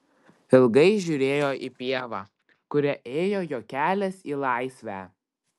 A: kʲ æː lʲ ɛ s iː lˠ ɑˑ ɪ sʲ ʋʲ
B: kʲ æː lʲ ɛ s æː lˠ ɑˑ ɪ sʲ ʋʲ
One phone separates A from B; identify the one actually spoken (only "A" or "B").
A